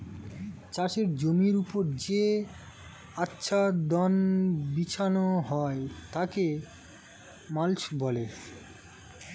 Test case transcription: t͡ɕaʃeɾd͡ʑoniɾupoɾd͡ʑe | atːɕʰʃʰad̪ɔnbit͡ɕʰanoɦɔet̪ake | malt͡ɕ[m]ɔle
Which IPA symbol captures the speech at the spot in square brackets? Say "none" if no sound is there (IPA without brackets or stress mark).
b